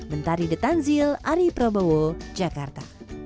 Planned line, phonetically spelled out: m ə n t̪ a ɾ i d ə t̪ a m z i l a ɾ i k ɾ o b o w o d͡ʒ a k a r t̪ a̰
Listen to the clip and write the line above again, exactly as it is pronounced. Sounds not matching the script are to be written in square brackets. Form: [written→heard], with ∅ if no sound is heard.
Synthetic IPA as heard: m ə n t̪ a ɾ i d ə t̪ a [m→n] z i l a ɾ i [k→p] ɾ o b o w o d͡ʒ a k a r t̪ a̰